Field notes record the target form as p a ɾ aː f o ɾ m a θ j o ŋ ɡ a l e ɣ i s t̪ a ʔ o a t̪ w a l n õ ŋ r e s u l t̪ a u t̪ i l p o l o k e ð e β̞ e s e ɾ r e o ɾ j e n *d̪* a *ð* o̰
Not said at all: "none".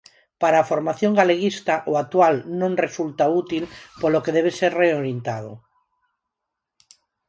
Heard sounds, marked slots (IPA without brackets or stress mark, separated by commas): t̪, ð